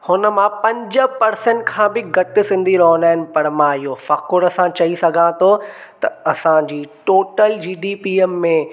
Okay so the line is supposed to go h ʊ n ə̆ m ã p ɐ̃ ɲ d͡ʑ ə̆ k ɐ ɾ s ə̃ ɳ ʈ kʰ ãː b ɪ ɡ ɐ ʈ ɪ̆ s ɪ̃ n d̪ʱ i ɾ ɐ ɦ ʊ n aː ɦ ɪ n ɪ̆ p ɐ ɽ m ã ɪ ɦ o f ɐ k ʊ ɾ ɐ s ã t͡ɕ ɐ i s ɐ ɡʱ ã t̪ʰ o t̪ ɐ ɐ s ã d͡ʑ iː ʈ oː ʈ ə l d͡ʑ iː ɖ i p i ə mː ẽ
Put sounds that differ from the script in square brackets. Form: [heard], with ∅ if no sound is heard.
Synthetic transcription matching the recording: h ʊ n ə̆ m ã p ɐ̃ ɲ d͡ʑ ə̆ [p] ɐ ɾ s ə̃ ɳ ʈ kʰ ãː b ɪ ɡ ɐ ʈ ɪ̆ s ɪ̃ n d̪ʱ i ɾ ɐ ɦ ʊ n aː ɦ ɪ n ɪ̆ p ɐ ɽ m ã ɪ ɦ o f ɐ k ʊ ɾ ɐ s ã t͡ɕ ɐ i s ɐ ɡʱ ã t̪ʰ o t̪ ɐ ɐ s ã d͡ʑ iː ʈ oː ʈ ə l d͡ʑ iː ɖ i p i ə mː ẽ